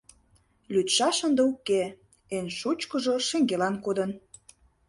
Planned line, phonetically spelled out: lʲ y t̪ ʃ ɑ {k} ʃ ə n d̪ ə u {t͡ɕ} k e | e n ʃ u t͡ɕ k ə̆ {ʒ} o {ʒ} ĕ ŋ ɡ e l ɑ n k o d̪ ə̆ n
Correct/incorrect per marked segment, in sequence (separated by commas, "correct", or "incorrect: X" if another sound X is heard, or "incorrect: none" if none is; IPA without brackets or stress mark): incorrect: none, incorrect: none, correct, incorrect: ʃ